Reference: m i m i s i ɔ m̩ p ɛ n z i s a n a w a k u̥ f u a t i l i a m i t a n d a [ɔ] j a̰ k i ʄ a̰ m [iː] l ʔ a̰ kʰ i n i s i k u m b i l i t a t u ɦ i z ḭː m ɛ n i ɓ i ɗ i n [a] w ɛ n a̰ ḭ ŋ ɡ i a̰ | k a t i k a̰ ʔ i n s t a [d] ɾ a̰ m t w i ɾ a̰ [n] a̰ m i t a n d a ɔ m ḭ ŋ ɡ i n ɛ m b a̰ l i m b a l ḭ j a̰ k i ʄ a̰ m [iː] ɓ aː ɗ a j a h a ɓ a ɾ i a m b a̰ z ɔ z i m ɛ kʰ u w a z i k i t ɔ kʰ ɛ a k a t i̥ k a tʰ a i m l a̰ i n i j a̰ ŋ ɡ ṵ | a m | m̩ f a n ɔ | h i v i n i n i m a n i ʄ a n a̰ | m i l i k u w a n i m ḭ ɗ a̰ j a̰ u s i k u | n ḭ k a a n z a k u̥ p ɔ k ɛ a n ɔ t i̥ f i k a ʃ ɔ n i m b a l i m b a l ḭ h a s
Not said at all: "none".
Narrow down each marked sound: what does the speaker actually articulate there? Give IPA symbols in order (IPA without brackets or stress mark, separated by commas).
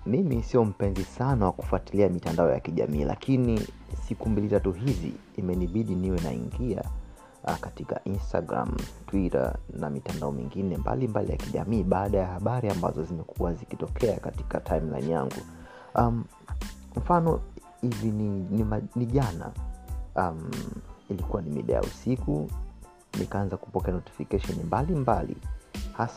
ɔ, iː, i, ɡ, n, iː